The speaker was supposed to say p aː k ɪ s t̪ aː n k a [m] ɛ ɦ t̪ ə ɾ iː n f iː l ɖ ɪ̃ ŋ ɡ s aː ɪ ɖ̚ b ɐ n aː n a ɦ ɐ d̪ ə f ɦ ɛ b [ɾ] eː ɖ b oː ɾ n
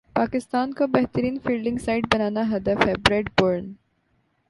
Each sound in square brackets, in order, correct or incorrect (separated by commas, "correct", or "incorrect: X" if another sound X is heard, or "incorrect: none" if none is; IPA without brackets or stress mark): incorrect: b, correct